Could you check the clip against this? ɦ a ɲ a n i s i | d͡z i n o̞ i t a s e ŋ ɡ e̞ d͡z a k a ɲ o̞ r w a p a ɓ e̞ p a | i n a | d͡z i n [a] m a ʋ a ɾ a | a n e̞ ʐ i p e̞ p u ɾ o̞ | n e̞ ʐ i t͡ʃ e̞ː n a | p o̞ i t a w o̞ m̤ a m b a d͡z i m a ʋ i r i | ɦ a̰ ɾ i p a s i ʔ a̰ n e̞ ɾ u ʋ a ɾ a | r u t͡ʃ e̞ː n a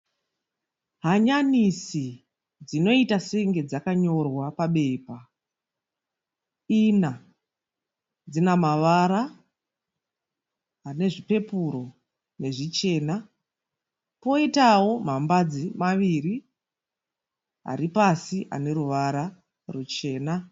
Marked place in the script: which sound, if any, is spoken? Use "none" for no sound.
a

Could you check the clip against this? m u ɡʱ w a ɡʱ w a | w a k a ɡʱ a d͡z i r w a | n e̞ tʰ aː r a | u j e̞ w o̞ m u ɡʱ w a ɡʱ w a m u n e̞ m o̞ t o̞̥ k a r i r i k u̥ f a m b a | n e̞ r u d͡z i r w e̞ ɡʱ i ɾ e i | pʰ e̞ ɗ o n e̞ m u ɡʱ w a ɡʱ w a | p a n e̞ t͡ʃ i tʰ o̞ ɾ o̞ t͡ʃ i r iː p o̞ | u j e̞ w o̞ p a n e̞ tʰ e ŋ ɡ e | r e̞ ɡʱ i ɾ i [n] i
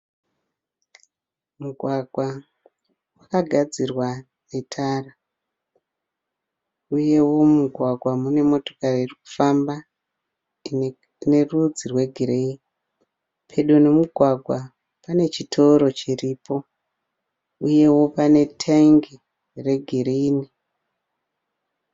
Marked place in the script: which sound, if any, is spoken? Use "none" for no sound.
n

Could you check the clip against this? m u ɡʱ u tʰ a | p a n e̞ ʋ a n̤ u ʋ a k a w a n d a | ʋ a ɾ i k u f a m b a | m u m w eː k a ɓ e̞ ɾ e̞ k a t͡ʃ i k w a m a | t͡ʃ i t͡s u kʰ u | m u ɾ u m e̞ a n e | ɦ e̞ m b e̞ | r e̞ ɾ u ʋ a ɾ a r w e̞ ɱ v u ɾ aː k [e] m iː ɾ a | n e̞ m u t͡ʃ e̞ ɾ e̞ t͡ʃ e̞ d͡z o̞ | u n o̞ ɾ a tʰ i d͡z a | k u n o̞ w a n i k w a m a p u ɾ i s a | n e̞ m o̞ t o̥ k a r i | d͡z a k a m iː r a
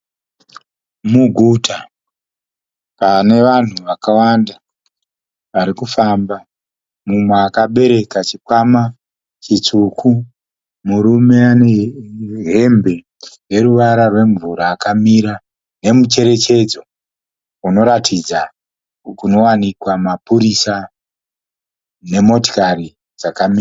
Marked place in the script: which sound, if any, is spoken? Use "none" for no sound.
a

